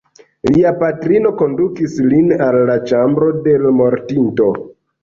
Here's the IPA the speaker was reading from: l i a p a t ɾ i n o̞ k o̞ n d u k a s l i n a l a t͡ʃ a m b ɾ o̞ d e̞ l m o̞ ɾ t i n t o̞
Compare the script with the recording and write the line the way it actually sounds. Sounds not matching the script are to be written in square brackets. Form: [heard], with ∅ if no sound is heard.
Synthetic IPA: l i a p a t ɾ i n o̞ k o̞ n d u k [i] s l i n a [lː] a t͡ʃ a m b ɾ o̞ d e̞ l m o̞ ɾ t i n t o̞